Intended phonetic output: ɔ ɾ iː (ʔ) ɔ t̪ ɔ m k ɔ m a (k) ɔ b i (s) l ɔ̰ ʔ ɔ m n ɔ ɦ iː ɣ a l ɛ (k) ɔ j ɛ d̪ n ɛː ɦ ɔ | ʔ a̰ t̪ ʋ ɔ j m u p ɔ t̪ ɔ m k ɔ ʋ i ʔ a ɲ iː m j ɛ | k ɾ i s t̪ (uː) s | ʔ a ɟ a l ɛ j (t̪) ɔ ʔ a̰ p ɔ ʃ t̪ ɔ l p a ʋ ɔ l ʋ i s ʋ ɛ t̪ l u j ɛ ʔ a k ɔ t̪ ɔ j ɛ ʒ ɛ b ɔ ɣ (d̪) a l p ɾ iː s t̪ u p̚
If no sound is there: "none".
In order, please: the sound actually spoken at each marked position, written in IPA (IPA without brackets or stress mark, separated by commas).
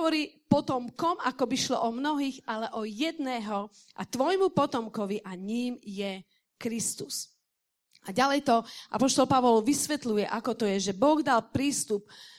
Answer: p, k, ʃ, ʔ, u, t̪, d̪